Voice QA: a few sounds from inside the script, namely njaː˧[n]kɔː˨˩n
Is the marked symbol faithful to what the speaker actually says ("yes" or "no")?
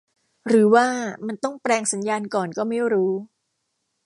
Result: yes